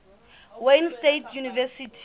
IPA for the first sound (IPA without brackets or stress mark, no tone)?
w